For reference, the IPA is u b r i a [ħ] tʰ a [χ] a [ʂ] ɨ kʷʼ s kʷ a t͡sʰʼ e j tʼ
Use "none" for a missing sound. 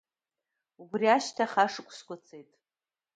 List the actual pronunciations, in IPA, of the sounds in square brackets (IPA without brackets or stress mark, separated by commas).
ʃ, χ, ʂ